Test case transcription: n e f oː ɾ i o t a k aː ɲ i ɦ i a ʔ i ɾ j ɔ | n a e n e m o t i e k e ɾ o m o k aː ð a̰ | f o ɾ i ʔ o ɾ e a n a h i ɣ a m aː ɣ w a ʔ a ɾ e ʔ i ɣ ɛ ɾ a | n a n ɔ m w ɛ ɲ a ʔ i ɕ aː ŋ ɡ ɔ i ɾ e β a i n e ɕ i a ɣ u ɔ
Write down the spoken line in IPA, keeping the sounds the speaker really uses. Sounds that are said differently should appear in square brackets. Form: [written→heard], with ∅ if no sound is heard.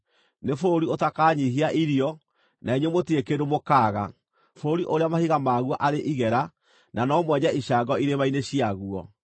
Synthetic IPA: n e f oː ɾ i o t a k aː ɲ i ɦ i a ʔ i ɾ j ɔ | n a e [n→ɲ] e m o t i e k e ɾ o m o k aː [ð→ɣ] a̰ | f o ɾ i ʔ o ɾ e a [n→m] a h i ɣ a m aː ɣ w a ʔ a ɾ e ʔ i ɣ ɛ ɾ a | n a n ɔ m w ɛ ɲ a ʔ i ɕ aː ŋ ɡ ɔ i ɾ e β a i n e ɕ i a ɣ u ɔ